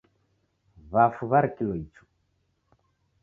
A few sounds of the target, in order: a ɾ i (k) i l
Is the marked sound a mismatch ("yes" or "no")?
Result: no